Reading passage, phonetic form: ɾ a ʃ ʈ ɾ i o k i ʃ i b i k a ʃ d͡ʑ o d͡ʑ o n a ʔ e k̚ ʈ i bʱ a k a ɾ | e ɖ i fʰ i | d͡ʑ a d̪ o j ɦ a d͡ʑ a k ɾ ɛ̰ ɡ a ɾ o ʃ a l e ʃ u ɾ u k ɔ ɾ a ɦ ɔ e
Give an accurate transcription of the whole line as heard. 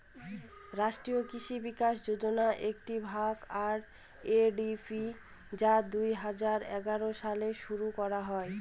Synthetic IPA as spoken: ɾ a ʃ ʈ ɾ i o k i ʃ i b i k a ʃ d͡ʑ o d͡ʑ o n a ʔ e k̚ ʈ i bʱ a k a ɾ | e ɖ i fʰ i | d͡ʑ a d̪ u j ɦ a d͡ʑ a ɾ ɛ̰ ɡ a ɾ o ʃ a l e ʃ u ɾ u k ɔ ɾ a ɦ ɔ e